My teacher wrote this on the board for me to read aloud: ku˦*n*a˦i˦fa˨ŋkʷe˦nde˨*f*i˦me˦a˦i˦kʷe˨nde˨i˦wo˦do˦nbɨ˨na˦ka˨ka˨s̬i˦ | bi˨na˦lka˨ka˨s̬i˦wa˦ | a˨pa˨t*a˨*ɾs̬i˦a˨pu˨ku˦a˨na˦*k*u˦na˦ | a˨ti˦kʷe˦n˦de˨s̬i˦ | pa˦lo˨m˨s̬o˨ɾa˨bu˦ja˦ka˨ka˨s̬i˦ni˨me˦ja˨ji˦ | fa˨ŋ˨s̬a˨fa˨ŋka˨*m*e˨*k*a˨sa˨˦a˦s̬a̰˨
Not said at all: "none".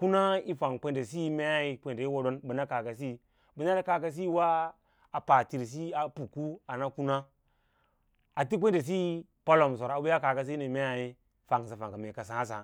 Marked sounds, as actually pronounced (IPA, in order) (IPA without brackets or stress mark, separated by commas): n, s, i˨, k, m, k